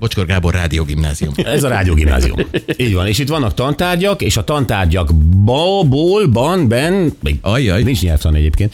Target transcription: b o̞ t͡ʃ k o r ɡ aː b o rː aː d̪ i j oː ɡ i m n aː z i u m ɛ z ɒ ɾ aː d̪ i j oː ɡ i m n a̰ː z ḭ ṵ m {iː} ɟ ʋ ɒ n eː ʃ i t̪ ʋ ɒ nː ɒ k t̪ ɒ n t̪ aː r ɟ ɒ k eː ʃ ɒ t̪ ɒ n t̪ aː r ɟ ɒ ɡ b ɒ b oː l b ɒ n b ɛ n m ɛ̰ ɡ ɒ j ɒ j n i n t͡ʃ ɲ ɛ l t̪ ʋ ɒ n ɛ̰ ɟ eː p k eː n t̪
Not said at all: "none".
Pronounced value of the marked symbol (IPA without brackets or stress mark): iː